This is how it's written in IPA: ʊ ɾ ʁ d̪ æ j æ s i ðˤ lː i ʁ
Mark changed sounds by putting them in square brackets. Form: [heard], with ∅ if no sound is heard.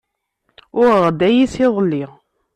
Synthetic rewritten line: ʊ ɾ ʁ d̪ æ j [i] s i ðˤ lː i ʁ